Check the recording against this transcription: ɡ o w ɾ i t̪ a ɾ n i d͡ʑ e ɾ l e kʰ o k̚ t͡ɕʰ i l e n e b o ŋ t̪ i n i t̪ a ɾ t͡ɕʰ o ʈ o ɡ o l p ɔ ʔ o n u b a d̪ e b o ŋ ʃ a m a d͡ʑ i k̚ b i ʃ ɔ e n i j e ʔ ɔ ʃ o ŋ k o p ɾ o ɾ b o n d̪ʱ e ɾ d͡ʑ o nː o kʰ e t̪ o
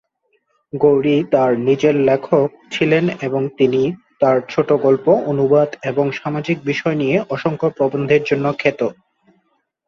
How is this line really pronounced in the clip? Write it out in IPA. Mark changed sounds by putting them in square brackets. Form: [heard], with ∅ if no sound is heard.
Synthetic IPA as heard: ɡ o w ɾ i t̪ a ɾ n i d͡ʑ e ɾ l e kʰ o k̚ t͡ɕʰ i l e n e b o ŋ t̪ i n i t̪ a ɾ t͡ɕʰ o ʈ o ɡ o l p [o] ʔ o n u b a d̪ e b o ŋ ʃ a m a d͡ʑ i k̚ b i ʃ ɔ e n i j e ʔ ɔ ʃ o ŋ k o p ɾ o [∅] b o n d̪ʱ e ɾ d͡ʑ o nː o kʰ e t̪ o